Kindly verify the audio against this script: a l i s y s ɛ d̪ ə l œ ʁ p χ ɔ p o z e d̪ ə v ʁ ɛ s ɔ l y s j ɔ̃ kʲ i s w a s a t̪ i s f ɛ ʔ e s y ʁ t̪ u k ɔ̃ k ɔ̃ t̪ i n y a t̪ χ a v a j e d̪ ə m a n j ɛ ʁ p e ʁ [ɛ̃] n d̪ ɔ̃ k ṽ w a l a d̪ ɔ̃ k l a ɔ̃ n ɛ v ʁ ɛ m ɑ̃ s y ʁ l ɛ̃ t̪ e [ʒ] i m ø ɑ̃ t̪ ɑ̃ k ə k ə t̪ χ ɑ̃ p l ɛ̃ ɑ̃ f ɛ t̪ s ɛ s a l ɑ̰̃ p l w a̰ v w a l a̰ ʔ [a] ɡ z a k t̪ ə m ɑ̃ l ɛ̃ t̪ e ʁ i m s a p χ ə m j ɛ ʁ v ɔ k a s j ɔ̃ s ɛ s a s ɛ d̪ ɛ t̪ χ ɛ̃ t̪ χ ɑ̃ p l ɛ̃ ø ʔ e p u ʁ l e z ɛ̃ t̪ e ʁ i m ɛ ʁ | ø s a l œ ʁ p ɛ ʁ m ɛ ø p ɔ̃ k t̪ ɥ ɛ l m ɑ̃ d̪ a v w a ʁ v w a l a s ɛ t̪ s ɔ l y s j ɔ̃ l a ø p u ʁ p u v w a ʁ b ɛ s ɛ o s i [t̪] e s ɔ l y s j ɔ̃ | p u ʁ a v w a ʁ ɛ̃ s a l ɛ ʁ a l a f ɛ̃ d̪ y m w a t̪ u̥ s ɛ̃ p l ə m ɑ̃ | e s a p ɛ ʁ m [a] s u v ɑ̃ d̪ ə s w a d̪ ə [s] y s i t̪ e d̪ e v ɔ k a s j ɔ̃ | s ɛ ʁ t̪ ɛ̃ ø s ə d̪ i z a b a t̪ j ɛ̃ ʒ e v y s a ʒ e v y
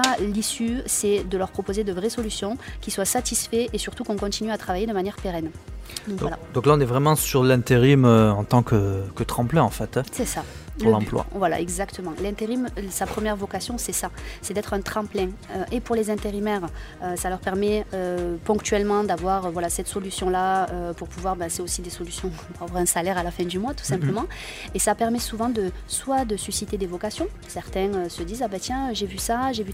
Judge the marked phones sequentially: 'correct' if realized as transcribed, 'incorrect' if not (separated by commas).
incorrect, incorrect, incorrect, incorrect, incorrect, correct